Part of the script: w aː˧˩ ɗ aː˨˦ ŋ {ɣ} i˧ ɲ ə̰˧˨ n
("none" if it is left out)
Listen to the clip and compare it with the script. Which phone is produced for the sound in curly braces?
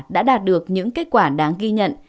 ɣ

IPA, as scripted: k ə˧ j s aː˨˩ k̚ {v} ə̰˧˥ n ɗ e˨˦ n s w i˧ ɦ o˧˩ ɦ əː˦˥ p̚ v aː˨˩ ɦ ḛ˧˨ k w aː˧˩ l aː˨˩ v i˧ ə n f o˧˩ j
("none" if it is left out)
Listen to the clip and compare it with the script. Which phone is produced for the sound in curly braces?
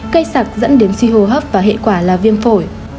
z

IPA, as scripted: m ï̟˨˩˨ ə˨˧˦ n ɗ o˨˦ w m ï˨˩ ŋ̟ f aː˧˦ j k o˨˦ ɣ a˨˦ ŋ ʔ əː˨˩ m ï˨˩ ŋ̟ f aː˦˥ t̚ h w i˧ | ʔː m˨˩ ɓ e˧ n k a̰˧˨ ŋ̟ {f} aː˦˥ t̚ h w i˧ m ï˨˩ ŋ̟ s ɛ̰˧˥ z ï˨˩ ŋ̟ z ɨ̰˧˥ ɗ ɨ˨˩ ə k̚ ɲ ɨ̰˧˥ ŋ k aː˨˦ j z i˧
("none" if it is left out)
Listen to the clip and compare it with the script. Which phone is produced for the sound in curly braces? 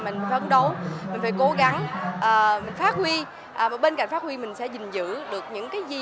f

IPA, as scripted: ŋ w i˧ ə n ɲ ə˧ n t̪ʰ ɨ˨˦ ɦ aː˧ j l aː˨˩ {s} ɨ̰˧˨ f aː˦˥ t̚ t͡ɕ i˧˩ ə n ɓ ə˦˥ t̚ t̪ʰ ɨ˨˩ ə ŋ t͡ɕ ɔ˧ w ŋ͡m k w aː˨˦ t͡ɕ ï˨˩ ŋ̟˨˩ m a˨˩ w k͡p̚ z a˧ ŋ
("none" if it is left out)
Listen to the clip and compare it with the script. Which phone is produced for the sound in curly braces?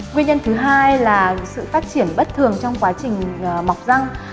s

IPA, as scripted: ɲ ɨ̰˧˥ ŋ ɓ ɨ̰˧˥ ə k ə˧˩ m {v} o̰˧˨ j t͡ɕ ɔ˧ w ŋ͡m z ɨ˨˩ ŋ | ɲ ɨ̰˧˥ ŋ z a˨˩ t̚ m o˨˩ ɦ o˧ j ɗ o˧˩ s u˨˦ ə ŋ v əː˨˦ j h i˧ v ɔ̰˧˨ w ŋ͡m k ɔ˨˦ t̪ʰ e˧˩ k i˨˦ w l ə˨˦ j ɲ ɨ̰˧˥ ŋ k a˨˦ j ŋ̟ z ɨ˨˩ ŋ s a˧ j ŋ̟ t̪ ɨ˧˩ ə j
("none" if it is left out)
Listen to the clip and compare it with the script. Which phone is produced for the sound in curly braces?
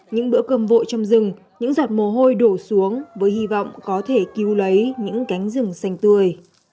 v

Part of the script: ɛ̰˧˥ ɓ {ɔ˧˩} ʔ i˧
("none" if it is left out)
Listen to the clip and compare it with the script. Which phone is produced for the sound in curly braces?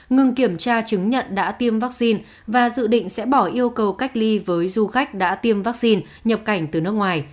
ɔ˧˩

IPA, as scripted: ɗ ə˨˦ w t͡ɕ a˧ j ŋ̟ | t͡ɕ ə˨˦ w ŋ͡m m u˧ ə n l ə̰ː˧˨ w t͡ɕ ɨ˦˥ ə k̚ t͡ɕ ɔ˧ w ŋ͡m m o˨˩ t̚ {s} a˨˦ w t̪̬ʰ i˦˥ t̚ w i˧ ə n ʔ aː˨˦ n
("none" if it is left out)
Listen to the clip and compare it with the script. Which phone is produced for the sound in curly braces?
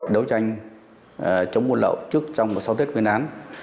s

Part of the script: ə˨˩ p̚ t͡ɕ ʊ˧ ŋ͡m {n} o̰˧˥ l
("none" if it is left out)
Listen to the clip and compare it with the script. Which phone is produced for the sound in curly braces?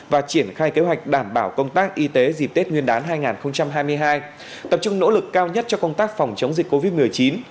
n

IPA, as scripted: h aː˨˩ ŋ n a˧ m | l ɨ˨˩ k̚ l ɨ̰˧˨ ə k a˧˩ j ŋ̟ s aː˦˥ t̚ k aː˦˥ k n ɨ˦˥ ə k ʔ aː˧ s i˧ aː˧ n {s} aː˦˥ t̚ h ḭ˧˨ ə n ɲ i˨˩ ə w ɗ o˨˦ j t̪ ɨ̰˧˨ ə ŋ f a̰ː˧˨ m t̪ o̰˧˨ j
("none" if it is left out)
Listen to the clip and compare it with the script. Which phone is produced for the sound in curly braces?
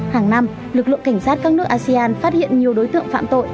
f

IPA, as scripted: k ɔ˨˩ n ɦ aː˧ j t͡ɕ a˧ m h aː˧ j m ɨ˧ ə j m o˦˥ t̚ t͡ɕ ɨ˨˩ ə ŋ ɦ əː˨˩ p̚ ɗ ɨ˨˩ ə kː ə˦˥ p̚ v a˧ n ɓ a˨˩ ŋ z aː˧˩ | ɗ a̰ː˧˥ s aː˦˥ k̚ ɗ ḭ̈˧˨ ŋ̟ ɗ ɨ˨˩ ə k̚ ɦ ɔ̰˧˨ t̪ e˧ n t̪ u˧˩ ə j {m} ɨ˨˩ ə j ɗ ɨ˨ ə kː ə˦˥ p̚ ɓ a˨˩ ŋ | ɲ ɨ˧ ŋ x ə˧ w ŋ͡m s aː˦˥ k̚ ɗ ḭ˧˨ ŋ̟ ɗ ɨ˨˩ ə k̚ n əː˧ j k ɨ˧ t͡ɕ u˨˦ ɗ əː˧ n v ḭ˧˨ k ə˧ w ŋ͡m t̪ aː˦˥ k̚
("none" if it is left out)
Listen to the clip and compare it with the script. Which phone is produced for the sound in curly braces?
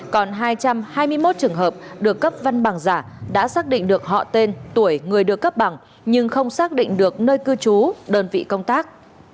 ŋ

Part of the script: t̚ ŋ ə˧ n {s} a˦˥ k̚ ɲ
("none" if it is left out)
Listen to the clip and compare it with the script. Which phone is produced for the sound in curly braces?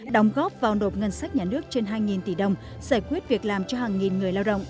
s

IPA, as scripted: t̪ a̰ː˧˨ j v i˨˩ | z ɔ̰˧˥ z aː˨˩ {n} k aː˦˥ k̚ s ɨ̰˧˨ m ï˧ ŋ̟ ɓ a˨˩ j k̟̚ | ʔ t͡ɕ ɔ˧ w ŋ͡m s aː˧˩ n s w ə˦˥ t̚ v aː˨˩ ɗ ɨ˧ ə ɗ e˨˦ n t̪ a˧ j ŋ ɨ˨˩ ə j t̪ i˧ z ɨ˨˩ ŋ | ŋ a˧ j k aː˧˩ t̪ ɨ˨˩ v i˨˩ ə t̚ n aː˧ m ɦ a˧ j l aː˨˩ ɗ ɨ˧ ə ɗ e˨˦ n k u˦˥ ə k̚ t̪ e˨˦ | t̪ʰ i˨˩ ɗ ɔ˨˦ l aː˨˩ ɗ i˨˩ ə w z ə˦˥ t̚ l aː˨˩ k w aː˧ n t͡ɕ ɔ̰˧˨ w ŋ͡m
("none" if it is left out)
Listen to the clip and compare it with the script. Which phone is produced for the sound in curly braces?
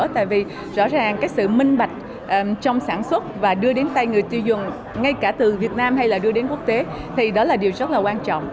ŋ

